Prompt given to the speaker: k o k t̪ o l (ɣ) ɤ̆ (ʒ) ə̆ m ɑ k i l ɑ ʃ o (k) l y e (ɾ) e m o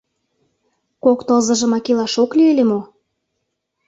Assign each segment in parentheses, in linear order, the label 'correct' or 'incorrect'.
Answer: incorrect, correct, correct, incorrect

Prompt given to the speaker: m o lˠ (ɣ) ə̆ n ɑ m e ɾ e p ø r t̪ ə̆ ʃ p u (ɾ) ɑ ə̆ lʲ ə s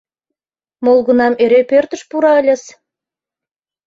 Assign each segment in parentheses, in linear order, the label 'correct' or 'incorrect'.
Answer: correct, correct

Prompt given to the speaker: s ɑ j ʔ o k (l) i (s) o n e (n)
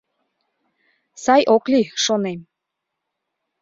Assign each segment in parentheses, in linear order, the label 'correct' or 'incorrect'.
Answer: correct, incorrect, incorrect

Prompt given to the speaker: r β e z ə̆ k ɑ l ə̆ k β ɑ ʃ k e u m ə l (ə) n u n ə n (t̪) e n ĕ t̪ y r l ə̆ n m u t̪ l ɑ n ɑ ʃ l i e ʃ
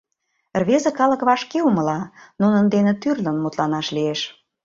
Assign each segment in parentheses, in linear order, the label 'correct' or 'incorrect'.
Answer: incorrect, incorrect

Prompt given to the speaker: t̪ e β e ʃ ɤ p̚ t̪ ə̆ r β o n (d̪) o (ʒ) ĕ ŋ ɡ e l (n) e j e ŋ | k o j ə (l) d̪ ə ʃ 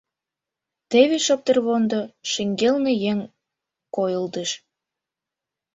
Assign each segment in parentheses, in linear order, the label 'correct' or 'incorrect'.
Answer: correct, incorrect, correct, correct

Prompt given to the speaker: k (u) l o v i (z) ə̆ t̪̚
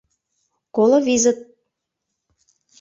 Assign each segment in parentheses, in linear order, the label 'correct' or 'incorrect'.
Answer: incorrect, correct

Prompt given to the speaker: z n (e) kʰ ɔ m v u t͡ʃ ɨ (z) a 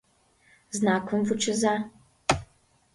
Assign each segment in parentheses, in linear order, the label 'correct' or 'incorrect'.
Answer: incorrect, correct

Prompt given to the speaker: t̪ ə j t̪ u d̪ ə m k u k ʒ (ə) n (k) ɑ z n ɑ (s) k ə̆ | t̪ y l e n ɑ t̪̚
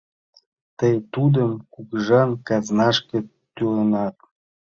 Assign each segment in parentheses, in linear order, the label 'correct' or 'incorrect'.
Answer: incorrect, correct, incorrect

